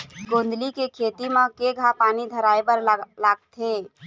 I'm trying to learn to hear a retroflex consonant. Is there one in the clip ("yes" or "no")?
no